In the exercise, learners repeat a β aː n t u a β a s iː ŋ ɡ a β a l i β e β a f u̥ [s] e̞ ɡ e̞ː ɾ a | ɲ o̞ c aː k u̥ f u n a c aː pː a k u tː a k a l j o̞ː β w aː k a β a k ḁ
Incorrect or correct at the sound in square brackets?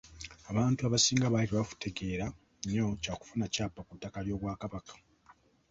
incorrect: t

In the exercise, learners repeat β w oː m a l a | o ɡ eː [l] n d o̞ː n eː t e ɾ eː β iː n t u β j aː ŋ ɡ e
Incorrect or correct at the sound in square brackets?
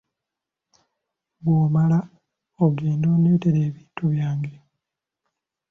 incorrect: none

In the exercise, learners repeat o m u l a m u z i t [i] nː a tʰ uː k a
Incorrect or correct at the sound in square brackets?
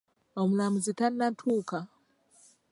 incorrect: a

